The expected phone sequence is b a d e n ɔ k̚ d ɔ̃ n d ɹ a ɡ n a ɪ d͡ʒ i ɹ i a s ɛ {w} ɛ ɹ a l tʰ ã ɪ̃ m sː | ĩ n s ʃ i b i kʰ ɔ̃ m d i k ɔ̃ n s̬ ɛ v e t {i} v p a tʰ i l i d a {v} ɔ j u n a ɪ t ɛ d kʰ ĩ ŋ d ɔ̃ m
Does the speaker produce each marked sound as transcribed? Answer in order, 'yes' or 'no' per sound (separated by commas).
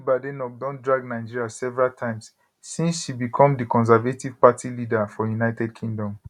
no, yes, no